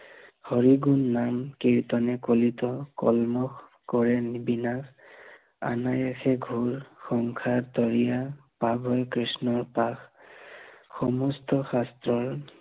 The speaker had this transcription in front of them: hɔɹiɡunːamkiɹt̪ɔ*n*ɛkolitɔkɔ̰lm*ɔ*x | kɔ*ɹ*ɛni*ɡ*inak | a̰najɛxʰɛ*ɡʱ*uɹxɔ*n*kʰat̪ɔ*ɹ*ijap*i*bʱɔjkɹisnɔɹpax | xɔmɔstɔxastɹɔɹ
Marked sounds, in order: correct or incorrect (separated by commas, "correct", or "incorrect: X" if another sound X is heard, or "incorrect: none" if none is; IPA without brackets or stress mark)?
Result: correct, correct, correct, incorrect: b, correct, incorrect: ŋ, correct, incorrect: a